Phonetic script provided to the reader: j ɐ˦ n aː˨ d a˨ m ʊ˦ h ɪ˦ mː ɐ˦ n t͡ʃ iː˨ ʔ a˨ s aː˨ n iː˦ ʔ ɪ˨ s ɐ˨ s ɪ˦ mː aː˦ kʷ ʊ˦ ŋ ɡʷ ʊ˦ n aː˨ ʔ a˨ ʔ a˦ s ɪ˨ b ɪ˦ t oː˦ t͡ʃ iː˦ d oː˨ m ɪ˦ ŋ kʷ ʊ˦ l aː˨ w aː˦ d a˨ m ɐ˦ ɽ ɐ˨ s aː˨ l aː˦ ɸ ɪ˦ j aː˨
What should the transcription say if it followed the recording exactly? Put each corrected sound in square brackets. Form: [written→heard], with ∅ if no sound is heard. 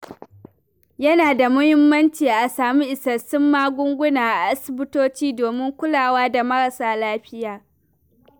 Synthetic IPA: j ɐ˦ n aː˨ d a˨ m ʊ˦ h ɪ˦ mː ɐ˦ n t͡ʃ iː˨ ʔ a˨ s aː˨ [n→m] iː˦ ʔ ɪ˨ s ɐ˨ s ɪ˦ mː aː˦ [kʷ→ɡʷ] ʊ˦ ŋ ɡʷ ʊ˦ n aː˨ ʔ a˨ ʔ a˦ s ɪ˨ b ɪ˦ t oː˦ t͡ʃ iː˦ d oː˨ m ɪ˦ ŋ kʷ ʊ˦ l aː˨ w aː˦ d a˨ m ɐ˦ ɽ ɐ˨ s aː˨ l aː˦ ɸ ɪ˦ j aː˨